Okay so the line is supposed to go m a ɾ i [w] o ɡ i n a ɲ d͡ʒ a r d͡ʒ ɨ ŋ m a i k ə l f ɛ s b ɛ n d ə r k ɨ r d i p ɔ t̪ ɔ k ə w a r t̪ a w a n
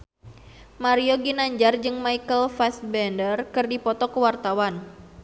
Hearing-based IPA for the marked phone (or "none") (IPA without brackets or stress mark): none